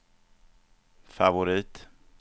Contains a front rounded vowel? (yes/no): no